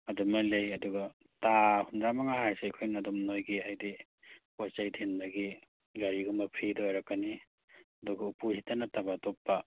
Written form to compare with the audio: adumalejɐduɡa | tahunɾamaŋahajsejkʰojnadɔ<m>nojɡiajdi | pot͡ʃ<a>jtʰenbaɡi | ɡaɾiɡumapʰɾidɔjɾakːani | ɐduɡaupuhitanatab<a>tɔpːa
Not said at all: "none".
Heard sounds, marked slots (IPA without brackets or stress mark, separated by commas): m, a, a